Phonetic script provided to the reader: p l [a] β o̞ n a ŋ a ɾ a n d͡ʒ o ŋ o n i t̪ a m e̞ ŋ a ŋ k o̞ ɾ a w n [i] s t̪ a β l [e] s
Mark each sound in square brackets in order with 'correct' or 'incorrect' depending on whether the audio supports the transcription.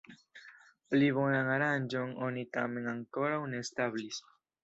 incorrect, incorrect, incorrect

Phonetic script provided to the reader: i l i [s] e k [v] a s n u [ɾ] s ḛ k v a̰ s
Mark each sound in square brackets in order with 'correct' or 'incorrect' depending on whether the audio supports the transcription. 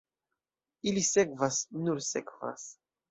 correct, correct, correct

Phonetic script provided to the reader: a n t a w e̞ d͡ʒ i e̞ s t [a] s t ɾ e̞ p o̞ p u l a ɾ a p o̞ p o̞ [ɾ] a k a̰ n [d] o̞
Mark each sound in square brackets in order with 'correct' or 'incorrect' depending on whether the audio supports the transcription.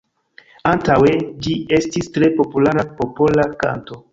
incorrect, incorrect, incorrect

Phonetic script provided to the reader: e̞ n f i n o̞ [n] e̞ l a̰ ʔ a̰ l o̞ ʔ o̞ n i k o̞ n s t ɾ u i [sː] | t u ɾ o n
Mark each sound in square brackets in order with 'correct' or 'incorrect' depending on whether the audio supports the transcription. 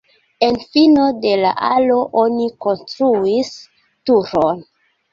incorrect, incorrect

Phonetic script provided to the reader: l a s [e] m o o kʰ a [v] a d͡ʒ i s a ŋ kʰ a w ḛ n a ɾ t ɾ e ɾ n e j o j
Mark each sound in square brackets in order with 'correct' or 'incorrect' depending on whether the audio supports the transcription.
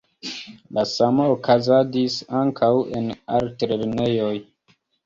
incorrect, incorrect

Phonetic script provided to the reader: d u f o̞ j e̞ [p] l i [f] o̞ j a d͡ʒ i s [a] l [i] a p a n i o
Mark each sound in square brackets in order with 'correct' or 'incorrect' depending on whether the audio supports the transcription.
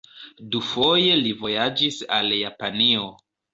incorrect, incorrect, correct, incorrect

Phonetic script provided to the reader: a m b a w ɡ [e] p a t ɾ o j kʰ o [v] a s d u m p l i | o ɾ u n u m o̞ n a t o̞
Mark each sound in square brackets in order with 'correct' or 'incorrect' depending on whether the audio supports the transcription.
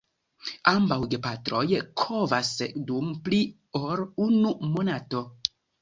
correct, correct

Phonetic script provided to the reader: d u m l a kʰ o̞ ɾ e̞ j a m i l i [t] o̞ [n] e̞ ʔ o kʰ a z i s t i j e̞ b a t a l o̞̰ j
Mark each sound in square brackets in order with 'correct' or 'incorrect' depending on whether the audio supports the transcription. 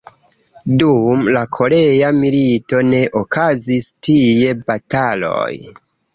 correct, correct

